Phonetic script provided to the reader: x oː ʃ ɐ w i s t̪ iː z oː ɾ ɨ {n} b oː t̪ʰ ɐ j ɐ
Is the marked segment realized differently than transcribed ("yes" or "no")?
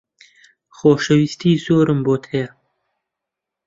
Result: yes